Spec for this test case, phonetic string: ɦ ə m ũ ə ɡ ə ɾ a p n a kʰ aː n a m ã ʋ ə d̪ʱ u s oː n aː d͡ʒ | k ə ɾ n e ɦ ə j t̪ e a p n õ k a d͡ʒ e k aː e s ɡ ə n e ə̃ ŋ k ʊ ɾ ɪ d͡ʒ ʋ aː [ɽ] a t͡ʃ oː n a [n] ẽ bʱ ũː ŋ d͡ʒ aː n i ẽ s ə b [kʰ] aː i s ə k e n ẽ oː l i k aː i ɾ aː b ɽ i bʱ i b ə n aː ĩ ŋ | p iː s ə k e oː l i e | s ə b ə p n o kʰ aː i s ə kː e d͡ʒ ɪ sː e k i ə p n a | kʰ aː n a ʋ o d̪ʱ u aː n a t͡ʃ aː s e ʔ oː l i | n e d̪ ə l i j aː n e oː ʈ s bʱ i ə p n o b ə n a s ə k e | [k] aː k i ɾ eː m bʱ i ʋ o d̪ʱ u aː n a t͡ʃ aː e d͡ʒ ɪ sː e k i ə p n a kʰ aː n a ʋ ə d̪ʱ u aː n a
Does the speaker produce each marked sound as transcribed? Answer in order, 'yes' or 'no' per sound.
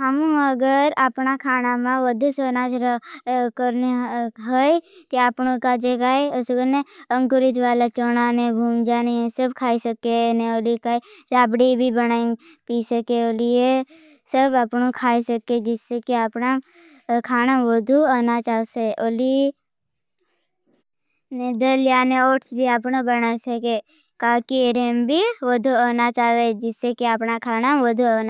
no, yes, yes, yes

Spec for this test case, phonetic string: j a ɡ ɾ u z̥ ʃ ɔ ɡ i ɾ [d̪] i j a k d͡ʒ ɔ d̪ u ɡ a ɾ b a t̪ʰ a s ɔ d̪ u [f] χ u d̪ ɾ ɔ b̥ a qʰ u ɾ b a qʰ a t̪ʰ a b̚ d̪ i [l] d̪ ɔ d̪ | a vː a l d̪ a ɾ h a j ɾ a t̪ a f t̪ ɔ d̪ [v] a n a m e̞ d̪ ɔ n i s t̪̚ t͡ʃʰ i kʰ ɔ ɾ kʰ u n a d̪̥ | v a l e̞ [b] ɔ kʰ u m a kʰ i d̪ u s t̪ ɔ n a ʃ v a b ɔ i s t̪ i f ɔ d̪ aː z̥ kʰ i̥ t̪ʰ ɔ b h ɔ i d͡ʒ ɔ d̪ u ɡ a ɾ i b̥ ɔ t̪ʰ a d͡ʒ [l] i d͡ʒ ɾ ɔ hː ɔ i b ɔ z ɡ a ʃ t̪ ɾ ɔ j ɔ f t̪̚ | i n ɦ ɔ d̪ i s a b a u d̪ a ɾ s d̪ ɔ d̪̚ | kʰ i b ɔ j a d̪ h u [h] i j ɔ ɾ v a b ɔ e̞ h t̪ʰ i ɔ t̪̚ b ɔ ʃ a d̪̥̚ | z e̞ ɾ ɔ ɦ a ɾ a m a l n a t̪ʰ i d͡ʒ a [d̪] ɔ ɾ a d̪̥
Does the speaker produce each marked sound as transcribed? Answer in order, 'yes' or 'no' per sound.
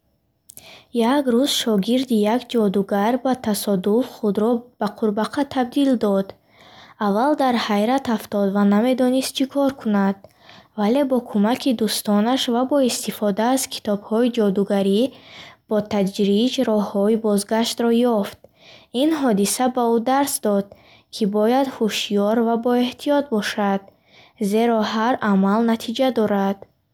yes, yes, yes, yes, yes, no, no, yes

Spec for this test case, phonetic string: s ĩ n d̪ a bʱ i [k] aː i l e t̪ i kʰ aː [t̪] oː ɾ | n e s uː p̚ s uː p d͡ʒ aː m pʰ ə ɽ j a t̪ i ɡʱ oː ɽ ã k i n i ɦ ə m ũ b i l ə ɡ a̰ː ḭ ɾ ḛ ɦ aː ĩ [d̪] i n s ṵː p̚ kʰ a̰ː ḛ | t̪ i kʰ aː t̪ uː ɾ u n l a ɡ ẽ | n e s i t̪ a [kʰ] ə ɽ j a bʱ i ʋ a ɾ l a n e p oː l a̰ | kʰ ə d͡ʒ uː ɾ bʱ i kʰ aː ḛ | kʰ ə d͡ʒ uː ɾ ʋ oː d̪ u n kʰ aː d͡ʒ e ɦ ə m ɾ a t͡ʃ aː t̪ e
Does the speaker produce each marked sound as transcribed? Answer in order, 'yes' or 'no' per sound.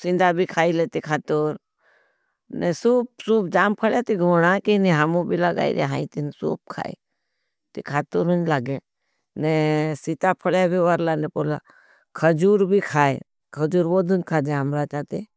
no, yes, no, no

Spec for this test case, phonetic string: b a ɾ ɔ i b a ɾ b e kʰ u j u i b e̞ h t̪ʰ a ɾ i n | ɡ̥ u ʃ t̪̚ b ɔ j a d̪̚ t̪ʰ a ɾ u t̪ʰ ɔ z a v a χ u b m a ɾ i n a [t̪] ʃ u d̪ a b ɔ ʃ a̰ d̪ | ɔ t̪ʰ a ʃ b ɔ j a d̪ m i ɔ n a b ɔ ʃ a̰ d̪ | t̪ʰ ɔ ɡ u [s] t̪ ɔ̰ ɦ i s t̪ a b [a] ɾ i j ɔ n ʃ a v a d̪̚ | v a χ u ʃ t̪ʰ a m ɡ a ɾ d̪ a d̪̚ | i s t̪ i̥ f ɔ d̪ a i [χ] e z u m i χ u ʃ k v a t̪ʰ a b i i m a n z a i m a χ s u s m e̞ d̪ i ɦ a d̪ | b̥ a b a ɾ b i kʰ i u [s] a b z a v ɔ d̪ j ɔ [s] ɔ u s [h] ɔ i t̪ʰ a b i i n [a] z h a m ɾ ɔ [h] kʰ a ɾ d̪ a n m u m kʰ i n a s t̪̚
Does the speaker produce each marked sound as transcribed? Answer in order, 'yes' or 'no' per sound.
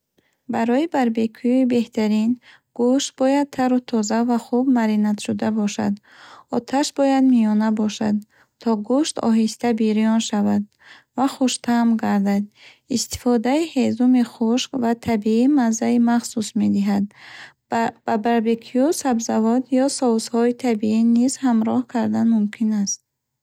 yes, no, no, no, yes, yes, yes, no, yes

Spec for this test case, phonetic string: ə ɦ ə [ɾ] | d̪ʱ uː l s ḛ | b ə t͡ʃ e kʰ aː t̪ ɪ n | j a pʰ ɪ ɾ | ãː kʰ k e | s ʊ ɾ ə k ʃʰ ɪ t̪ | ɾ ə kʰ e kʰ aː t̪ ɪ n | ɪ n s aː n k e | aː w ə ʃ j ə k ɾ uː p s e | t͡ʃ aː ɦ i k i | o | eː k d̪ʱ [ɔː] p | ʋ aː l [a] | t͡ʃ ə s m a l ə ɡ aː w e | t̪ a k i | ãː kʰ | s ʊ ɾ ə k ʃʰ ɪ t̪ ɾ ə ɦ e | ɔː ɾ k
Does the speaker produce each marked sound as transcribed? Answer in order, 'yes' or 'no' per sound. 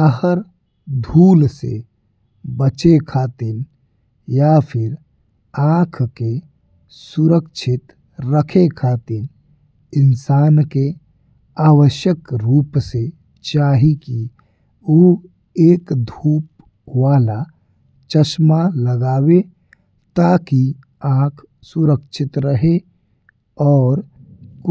yes, no, yes

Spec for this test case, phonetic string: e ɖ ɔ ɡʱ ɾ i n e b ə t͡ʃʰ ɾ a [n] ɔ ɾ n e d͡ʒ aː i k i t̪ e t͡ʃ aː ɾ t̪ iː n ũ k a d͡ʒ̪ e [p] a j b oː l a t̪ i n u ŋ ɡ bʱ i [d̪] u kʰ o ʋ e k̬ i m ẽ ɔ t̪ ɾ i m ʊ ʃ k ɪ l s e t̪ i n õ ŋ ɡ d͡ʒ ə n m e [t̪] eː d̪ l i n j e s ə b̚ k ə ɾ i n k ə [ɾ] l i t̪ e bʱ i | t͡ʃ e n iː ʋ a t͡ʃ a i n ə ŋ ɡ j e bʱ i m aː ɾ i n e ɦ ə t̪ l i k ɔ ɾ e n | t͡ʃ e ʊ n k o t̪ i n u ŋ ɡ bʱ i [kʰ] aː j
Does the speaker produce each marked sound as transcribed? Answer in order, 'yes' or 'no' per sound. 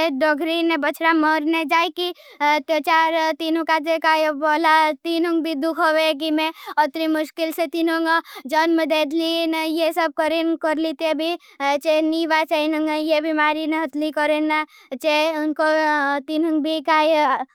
no, no, yes, no, yes, no

